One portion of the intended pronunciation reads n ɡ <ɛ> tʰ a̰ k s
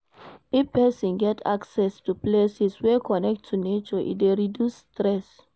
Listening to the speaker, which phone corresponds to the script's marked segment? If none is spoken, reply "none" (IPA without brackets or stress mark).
ɛ